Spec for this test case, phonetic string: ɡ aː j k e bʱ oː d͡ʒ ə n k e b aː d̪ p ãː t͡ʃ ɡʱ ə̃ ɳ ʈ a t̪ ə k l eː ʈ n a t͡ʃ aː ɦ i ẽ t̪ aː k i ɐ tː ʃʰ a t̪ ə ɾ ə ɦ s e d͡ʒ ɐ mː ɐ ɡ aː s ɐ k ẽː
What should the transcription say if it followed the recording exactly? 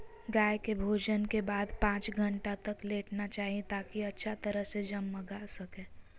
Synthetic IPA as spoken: ɡ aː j k e bʱ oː d͡ʒ ə n k e b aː d̪ p ãː t͡ʃ ɡʱ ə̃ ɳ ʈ a t̪ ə k l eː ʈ n a t͡ʃ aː ɦ i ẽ t̪ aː k i ɐ tː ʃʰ a t̪ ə ɾ ə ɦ s e d͡ʒ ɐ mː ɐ ɡ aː s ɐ k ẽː